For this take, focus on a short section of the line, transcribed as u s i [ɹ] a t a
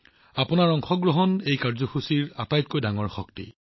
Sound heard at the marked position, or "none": ɹ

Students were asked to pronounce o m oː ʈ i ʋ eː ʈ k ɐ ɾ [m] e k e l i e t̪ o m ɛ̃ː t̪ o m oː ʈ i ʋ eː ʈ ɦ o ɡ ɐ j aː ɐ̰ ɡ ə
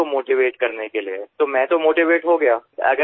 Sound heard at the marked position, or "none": n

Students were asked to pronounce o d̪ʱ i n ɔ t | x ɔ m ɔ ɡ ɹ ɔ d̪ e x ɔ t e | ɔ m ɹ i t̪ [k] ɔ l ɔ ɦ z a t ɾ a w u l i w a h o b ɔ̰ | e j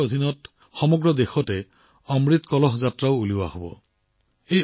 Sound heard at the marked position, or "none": k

